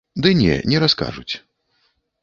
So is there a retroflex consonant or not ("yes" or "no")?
yes